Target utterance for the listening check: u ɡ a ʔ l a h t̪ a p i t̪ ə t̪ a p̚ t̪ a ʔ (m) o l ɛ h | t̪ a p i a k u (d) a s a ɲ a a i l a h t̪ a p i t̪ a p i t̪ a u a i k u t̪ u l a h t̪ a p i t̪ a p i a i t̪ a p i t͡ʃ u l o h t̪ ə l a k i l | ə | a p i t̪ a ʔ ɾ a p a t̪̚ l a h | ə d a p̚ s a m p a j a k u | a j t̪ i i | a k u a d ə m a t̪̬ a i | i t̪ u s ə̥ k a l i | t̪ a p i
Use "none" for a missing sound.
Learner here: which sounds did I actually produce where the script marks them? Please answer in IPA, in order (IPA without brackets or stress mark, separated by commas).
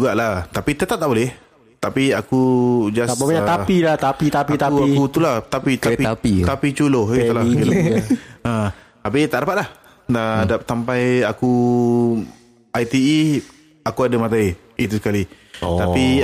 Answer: b, d͡ʒ